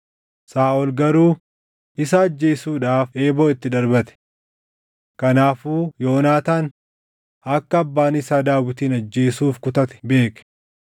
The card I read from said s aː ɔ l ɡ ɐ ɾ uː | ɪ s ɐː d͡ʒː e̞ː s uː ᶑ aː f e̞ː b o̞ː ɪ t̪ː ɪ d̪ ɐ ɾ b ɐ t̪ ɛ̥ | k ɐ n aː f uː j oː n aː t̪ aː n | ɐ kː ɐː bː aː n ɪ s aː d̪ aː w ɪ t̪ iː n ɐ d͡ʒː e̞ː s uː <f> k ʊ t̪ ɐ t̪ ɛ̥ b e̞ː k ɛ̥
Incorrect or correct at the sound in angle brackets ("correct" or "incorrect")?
correct